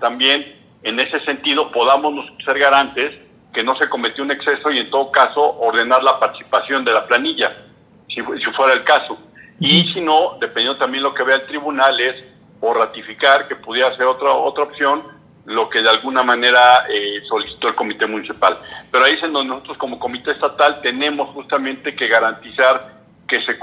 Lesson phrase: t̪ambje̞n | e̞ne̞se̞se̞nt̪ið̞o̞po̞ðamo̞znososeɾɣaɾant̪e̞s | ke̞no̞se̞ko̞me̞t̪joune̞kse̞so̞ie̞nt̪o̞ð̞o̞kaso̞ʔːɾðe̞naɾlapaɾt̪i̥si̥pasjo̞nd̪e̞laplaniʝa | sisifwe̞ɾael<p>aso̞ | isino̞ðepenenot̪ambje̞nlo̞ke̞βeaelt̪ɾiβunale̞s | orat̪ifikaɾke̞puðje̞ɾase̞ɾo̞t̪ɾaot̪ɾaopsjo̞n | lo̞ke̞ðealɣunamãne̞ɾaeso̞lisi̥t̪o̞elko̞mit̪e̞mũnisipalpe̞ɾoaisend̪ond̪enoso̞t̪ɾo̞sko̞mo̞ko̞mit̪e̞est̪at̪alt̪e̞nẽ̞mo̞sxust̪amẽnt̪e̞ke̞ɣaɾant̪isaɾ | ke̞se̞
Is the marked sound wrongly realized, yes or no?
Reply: yes